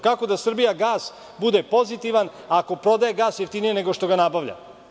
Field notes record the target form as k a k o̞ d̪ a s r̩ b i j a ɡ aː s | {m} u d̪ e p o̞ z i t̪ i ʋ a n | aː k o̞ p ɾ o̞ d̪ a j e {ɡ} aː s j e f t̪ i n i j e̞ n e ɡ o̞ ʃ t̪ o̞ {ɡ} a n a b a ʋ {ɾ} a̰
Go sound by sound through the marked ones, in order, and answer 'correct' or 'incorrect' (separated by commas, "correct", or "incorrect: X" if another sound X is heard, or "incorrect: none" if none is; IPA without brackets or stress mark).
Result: incorrect: b, correct, correct, incorrect: ʎ